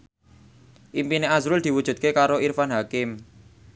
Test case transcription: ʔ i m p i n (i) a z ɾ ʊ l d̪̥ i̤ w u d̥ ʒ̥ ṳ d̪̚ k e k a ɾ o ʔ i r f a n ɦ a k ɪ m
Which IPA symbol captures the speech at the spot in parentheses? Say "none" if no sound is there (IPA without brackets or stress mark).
e